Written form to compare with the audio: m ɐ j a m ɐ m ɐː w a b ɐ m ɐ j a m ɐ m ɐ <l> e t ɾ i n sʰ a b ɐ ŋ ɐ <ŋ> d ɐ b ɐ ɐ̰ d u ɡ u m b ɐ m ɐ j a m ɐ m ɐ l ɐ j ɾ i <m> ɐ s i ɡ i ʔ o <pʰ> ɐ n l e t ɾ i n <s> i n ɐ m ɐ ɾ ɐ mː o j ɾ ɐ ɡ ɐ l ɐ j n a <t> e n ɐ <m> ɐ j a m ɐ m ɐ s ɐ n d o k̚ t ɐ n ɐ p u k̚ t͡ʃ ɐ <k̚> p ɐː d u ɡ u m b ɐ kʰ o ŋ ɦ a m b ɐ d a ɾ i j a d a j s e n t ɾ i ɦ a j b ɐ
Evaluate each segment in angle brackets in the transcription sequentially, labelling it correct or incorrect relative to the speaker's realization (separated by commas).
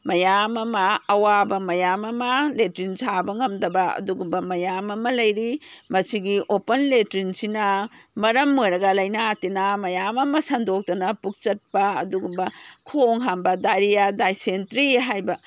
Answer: correct, incorrect, correct, incorrect, correct, correct, correct, incorrect